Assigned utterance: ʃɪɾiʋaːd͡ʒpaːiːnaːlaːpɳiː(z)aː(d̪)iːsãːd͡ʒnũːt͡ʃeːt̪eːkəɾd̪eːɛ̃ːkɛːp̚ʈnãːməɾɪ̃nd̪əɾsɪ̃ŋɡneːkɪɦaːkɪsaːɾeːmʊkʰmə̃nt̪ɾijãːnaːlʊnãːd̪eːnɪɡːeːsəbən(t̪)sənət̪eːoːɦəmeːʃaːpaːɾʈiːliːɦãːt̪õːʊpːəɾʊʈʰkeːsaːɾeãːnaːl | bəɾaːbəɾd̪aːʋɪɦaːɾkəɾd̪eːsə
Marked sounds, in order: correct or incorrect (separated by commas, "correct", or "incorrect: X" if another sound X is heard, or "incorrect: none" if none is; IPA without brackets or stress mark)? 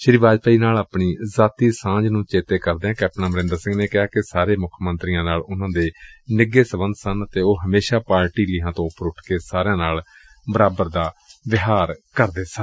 correct, incorrect: t̪, incorrect: d̪